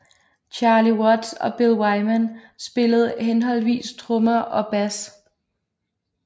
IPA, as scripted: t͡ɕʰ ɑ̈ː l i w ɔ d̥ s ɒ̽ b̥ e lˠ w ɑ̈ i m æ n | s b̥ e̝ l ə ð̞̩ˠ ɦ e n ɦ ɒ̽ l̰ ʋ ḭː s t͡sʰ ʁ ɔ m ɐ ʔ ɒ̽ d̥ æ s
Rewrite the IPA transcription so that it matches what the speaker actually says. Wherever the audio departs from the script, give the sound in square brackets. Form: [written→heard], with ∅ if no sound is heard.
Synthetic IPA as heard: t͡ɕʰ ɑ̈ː l i w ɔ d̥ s ɒ̽ b̥ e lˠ w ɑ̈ [i→ɪ] m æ n | s b̥ e̝ l ə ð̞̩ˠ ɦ e n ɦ ɒ̽ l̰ ʋ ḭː s t͡sʰ ʁ ɔ m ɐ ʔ ɒ̽ [d̥→b̥] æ s